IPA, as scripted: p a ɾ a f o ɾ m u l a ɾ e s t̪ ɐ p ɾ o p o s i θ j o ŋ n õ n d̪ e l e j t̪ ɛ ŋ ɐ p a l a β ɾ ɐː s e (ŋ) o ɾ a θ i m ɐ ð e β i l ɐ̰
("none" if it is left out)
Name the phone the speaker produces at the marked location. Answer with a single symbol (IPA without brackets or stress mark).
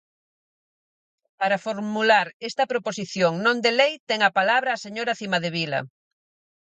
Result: ɲ